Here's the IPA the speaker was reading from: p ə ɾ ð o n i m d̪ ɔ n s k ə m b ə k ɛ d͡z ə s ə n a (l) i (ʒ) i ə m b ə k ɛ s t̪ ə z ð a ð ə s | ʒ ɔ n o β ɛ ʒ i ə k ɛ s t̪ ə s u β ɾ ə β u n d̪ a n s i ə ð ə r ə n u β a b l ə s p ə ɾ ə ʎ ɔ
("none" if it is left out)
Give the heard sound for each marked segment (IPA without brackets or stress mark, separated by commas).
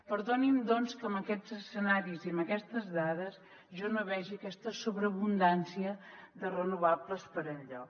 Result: ɾ, z